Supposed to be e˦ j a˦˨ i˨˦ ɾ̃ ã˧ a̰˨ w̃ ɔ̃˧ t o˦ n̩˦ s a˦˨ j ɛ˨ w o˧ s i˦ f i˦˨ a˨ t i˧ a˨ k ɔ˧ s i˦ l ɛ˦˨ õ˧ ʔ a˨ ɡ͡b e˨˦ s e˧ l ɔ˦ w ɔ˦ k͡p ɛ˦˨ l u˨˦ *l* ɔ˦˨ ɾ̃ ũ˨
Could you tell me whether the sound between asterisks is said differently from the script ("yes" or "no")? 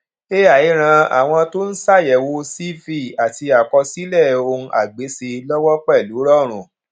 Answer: yes